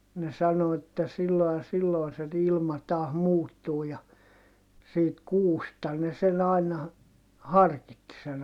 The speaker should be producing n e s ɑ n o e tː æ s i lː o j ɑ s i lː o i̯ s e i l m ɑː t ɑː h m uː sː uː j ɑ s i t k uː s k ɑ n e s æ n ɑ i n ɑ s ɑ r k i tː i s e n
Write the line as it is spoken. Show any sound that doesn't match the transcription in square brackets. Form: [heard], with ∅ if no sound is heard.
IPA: n e s ɑ n o e tː æ s i lː o j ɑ s i lː o i̯ s e i l m [ɑ] t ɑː h m uː [tː] uː j ɑ s [iː] t k uː s [t] ɑ n e s [e] n ɑ i n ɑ [h] ɑ r k i tː i s e n